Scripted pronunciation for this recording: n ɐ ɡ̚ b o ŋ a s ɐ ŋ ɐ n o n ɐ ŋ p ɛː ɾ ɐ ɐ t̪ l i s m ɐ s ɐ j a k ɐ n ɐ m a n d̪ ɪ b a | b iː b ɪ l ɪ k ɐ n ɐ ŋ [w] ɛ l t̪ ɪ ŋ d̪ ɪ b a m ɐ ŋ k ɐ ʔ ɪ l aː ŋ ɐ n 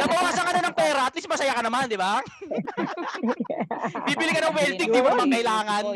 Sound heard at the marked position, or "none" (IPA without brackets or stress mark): w